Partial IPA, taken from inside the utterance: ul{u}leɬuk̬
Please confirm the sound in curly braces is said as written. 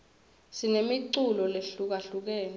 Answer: no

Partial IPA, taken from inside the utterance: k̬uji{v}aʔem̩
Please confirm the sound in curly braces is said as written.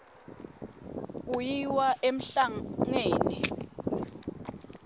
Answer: no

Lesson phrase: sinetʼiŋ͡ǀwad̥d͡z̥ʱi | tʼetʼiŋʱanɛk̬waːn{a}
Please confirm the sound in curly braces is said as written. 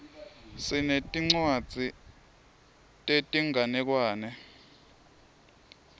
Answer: no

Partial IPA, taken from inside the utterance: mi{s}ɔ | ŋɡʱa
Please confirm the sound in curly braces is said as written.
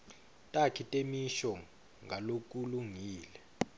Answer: no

